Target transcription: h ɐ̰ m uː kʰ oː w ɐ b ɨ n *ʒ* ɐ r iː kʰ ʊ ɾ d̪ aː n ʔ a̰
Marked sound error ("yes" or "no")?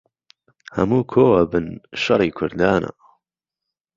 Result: yes